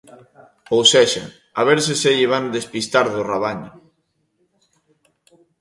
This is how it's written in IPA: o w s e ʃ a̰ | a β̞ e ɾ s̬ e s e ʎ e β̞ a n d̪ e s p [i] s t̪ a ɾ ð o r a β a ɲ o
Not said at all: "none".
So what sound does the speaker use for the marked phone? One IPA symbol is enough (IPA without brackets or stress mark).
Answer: i